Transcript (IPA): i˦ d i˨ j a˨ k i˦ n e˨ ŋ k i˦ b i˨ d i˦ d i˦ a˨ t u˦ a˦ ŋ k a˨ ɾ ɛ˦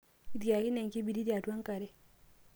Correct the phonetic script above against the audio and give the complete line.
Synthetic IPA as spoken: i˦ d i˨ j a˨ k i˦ n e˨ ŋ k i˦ b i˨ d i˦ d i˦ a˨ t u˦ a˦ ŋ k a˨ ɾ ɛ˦